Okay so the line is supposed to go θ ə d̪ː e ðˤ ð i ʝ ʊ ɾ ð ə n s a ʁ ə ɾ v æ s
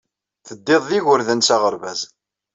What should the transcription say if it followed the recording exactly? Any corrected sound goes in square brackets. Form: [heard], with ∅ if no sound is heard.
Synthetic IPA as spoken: θ ə d̪ː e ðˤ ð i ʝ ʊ ɾ ð ə n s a ʁ ə ɾ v æ [z]